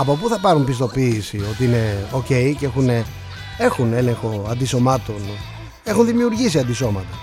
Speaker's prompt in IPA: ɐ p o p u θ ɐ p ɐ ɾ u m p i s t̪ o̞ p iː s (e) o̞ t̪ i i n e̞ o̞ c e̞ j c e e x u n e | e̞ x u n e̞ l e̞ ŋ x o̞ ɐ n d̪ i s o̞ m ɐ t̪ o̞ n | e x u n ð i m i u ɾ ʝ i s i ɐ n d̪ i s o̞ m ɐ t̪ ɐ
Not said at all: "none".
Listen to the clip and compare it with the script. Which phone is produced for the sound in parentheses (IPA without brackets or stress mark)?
i